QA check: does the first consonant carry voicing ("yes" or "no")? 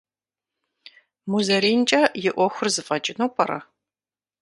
yes